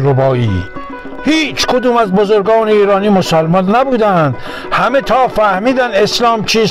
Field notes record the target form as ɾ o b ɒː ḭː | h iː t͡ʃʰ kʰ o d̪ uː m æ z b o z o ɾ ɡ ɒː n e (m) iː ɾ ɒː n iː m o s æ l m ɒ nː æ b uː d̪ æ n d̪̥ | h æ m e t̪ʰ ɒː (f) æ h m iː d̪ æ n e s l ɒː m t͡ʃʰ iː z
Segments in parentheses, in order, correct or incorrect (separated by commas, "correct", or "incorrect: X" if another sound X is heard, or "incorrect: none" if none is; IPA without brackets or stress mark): incorrect: none, correct